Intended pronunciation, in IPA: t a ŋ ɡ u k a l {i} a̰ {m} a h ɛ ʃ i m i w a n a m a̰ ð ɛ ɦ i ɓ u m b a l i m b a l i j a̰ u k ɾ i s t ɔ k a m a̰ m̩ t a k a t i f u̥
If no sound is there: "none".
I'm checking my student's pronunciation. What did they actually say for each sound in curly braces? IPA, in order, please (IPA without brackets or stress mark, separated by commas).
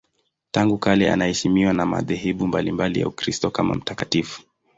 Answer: ɛ, n